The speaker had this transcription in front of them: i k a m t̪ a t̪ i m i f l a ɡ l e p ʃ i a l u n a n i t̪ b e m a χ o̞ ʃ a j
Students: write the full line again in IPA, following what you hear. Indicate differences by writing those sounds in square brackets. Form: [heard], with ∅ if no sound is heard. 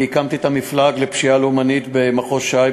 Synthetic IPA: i k a m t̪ [i] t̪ [a] m i f l a ɡ l e p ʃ i a l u [m] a n i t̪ b e m a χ o̞ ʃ a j